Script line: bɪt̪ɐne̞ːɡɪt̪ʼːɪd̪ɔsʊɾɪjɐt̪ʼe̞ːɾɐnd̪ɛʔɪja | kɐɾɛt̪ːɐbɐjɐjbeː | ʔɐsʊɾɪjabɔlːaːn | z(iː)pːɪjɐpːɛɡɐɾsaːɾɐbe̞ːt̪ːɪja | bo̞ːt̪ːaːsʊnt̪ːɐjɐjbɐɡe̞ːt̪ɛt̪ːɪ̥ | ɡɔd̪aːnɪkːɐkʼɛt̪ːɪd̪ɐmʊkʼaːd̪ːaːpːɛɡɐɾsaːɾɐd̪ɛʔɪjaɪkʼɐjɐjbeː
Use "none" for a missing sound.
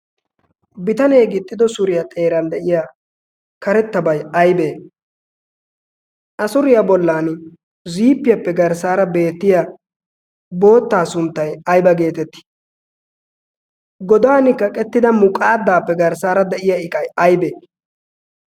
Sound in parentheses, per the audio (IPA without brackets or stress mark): iː